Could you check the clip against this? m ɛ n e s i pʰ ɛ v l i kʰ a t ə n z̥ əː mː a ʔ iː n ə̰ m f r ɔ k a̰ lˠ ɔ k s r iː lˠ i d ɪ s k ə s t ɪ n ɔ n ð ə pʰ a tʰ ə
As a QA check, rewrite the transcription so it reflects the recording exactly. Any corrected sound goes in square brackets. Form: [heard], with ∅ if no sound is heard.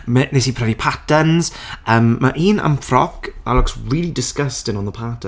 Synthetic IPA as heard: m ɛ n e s i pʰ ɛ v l i [pʰ] a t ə n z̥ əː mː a ʔ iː n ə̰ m f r ɔ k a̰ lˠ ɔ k s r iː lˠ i d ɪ s k ə s t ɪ n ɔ n ð ə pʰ a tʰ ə